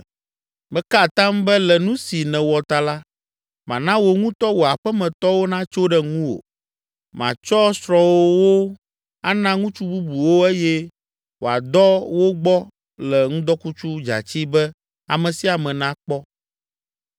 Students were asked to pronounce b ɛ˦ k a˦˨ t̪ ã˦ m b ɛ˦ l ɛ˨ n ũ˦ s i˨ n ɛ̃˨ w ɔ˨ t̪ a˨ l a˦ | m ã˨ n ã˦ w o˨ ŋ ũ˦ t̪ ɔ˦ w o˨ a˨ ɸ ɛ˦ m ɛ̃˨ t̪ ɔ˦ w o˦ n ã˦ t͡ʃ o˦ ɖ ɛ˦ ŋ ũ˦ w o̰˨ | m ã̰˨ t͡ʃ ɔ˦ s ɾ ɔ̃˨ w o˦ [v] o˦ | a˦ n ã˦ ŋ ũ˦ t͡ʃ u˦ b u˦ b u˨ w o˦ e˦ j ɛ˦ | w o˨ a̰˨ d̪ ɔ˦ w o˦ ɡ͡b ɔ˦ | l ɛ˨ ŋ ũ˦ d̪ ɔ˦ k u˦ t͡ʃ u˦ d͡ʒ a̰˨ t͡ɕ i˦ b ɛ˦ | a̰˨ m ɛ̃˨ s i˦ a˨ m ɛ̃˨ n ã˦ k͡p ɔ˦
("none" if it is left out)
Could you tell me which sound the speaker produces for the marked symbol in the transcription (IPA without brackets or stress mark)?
w